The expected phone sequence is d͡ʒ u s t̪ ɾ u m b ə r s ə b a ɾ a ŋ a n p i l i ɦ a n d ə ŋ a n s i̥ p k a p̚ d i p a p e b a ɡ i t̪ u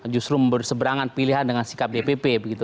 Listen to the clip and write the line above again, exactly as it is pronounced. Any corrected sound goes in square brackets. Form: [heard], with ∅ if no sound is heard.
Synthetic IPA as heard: d͡ʒ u s t̪ ɾ u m b ə r s ə b [ə] ɾ a ŋ a n p i l i ɦ a n d ə ŋ a n s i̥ [∅] k a p̚ d [e] p [e] p e b [ə] ɡ i t̪ u